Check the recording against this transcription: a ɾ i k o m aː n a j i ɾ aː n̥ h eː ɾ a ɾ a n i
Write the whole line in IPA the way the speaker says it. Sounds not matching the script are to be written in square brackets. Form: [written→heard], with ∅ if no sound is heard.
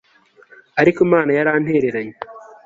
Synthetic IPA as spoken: a ɾ i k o m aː n a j [i→a] ɾ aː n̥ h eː ɾ [a→e] ɾ a [n→ɲ] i